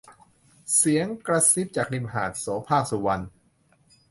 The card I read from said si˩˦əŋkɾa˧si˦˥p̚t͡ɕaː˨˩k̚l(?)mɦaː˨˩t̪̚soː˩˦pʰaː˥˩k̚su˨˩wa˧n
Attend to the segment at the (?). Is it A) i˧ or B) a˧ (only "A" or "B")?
A